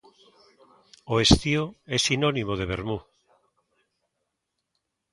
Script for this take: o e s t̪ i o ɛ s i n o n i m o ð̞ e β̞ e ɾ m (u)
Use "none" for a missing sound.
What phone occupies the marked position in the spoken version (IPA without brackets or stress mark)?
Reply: u